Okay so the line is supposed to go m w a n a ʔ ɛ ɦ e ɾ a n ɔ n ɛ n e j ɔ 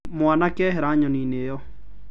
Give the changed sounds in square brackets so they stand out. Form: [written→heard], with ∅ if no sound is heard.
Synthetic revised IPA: m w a n a [ʔ→k] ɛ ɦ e ɾ a [n→ɲ] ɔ n [ɛ→i] n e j ɔ